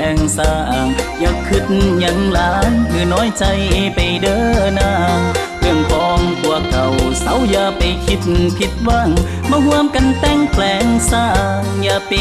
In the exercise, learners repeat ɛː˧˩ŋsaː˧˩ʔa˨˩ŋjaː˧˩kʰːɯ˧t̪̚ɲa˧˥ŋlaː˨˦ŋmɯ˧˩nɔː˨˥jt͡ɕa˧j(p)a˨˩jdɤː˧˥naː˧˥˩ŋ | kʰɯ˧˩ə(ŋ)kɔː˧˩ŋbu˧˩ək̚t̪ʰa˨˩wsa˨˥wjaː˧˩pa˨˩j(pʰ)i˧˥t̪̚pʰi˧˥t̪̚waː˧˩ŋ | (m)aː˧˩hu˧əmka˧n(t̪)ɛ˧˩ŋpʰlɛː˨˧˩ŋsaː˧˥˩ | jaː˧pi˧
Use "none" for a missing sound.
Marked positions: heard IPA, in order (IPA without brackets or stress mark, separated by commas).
p, ŋ, kʰ, m, t̪